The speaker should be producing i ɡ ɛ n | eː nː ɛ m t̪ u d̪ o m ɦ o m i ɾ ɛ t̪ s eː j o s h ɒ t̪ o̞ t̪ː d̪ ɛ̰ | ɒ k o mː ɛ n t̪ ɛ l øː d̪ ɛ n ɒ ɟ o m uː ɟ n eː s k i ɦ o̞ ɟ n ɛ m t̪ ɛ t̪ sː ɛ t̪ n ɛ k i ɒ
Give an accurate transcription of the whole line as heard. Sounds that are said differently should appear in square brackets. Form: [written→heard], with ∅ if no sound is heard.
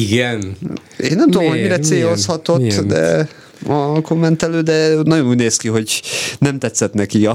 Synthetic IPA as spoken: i ɡ ɛ n | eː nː ɛ m t̪ u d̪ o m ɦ o m i ɾ ɛ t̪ s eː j o s h ɒ t̪ o̞ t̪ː d̪ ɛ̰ | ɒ k o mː ɛ n t̪ ɛ l øː d̪ ɛ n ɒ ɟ o [m→n] uː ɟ n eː s k i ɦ o̞ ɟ n ɛ m t̪ ɛ t̪ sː ɛ t̪ n ɛ k i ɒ